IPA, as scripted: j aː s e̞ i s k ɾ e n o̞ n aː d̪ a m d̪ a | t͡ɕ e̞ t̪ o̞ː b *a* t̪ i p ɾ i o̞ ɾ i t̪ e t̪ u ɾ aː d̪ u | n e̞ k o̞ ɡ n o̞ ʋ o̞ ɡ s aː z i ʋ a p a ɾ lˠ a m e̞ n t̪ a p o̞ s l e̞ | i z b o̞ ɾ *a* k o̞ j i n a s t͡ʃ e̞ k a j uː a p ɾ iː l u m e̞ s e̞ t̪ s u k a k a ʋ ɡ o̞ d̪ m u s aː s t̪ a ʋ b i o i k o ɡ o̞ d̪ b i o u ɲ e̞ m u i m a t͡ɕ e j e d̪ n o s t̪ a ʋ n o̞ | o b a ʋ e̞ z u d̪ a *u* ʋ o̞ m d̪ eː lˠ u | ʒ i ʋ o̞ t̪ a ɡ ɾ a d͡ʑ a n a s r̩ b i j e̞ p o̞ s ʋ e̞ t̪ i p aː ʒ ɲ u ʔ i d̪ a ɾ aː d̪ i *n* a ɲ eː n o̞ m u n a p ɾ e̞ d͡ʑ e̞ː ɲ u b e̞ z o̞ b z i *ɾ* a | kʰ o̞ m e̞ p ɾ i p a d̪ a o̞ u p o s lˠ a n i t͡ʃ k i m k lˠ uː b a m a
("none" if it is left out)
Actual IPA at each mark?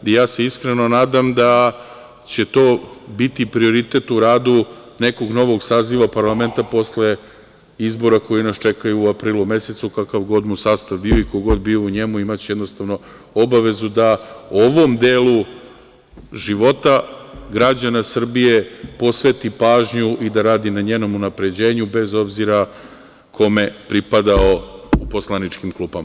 i, a, o, n, ɾ

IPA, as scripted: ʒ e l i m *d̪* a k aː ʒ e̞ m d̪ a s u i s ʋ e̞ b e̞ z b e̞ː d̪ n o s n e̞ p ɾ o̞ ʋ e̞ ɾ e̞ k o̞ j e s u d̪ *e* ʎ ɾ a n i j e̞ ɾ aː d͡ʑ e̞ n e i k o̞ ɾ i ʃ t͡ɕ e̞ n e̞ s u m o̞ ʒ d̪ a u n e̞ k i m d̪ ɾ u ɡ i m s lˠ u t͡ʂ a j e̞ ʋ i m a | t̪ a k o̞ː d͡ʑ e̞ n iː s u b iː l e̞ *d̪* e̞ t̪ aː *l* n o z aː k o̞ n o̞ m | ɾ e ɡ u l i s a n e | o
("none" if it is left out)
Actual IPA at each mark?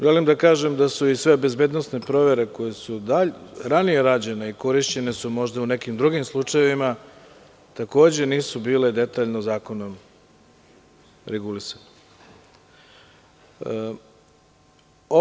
d̪, a, d̪, ʎ

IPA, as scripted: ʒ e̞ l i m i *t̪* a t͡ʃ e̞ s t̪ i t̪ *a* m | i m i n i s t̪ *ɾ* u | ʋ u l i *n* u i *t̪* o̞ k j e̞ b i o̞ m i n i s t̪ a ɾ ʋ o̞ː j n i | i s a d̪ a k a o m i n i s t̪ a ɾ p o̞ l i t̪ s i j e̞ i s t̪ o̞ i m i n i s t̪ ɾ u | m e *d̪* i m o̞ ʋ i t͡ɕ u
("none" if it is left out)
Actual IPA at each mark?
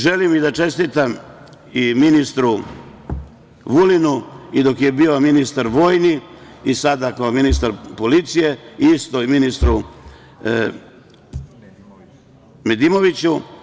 d̪, a, ɾ, n, d̪, d̪

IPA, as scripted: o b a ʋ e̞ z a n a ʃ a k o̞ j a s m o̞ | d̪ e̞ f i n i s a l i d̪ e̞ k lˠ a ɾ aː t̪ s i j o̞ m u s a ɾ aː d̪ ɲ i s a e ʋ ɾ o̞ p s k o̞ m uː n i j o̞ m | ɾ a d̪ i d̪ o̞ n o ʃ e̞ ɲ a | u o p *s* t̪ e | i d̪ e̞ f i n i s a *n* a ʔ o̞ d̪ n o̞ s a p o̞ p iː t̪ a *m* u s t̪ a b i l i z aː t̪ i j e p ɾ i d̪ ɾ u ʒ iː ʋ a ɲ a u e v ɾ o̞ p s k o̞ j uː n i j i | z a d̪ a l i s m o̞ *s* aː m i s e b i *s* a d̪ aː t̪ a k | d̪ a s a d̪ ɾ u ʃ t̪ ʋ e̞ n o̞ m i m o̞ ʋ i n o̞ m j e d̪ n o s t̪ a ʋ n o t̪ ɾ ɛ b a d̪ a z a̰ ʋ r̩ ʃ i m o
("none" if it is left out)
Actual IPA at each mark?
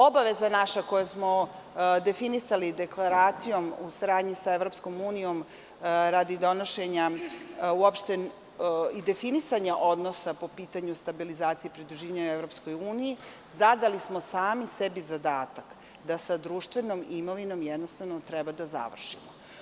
ʃ, ɲ, ɲ, s, z

